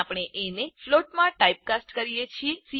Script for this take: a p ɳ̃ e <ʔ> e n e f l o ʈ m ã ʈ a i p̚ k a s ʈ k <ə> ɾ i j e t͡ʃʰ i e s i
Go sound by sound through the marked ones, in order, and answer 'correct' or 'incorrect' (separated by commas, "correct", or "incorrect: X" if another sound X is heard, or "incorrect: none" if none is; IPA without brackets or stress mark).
correct, correct